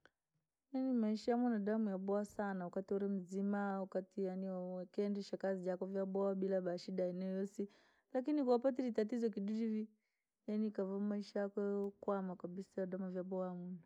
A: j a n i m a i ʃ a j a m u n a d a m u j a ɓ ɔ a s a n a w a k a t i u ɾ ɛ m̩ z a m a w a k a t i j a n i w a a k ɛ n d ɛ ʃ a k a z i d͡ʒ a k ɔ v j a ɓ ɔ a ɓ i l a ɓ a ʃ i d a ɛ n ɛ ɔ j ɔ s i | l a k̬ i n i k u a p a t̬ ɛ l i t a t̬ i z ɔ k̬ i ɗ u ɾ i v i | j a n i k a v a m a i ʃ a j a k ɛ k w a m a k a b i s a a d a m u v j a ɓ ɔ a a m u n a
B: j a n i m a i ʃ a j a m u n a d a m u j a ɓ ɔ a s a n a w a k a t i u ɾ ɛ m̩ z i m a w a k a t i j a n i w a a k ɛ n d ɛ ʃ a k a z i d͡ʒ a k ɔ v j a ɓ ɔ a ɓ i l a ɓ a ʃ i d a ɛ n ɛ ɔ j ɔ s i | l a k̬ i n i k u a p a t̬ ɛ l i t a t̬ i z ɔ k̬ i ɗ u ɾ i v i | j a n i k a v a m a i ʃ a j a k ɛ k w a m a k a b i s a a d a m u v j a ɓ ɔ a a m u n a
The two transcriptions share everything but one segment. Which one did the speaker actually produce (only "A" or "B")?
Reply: B